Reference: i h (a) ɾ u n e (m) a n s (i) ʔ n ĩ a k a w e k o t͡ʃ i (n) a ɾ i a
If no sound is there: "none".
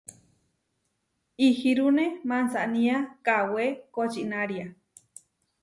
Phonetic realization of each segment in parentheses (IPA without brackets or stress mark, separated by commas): i, m, a, n